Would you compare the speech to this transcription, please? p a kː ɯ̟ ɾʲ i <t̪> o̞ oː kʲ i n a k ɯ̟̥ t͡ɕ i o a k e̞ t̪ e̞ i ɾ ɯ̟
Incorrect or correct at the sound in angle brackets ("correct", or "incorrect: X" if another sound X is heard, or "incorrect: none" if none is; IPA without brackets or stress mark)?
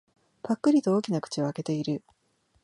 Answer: correct